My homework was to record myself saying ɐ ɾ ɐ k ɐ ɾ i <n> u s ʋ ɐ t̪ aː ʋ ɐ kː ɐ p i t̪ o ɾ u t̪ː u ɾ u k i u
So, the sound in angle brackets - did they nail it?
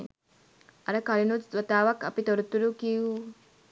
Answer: yes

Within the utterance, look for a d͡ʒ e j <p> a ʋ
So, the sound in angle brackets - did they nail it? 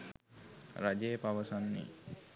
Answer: yes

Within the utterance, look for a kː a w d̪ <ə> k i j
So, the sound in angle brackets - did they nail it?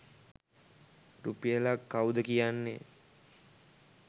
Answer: yes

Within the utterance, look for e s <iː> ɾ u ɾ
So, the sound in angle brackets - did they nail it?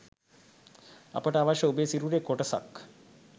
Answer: no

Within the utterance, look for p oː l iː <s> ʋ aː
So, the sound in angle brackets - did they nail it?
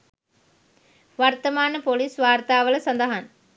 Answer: yes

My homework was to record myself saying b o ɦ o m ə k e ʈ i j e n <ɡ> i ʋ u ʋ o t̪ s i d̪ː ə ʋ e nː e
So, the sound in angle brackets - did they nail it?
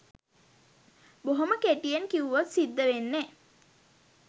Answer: no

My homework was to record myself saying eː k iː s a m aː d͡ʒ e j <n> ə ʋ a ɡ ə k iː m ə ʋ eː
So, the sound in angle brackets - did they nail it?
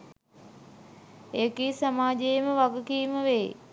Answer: no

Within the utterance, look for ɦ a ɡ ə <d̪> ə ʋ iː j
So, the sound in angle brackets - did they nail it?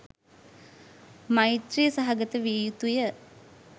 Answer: no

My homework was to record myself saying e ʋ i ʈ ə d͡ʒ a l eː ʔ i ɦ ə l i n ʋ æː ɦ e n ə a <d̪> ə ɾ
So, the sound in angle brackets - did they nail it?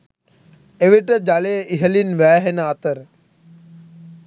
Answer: no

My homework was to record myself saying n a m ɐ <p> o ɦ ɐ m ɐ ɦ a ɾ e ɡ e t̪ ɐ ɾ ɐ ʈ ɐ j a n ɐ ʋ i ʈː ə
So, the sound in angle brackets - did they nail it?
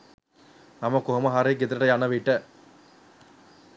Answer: no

